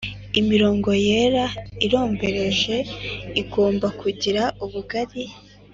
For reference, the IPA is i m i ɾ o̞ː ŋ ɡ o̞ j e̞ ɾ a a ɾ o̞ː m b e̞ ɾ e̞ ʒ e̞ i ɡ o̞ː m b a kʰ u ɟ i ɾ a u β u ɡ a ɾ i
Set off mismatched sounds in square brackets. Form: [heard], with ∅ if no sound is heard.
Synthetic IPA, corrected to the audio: i m i ɾ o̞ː ŋ ɡ o̞ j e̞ ɾ a [i] ɾ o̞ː m b e̞ ɾ e̞ ʒ e̞ i ɡ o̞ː m b a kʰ u ɟ i ɾ a u β u ɡ a ɾ i